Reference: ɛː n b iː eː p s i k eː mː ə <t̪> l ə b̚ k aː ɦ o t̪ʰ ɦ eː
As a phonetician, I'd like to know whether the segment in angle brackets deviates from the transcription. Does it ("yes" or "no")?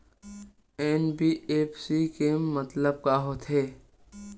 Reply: no